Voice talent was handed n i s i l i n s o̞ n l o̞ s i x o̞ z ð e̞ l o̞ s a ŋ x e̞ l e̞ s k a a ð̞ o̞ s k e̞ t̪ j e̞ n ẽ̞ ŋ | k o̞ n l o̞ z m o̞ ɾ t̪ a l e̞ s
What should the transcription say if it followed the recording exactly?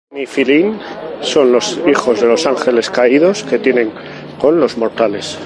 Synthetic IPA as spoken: n i f i l i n s o̞ n l o̞ s i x o̞ z ð e̞ l o̞ s a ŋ x e̞ l e̞ s k a i ð̞ o̞ s k e̞ t̪ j e̞ n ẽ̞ ŋ | k o̞ n l o̞ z m o̞ ɾ t̪ a l e̞ s